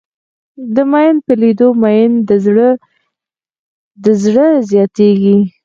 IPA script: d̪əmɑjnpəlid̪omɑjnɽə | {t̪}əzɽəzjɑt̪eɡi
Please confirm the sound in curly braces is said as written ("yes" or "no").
no